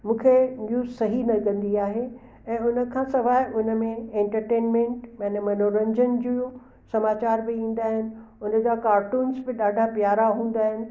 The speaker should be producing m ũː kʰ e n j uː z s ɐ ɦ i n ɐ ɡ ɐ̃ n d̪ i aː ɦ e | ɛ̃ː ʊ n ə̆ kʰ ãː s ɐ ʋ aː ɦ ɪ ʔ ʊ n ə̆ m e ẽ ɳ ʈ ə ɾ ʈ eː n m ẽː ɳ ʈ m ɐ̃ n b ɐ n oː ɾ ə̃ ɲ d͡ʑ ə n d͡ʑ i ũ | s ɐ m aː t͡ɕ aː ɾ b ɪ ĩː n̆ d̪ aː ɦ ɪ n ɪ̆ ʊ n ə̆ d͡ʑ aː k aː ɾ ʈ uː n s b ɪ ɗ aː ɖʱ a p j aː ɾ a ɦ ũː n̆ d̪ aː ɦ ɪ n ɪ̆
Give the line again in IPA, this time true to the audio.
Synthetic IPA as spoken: m ũː kʰ e n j uː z s ɐ ɦ i n ɐ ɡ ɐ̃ n d̪ i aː ɦ e | ɛ̃ː ʊ n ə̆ kʰ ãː s ɐ ʋ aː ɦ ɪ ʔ ʊ n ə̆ m ẽ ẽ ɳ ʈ ə ɾ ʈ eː n m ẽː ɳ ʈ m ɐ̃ n m ɐ n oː ɾ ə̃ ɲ d͡ʑ ə n d͡ʑ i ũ | s ɐ m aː t͡ɕ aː ɾ b ɪ ĩː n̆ d̪ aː ɦ ɪ n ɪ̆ ʊ n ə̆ d͡ʑ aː k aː ɾ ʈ uː n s b ɪ ɗ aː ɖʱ a p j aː ɾ a ɦ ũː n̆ d̪ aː ɦ ɪ n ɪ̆